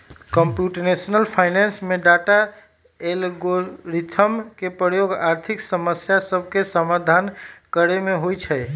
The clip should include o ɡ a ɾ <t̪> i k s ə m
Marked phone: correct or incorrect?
incorrect